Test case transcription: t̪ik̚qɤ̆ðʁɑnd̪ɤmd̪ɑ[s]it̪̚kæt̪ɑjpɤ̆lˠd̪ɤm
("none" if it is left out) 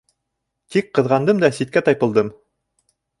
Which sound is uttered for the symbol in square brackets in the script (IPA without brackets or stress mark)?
s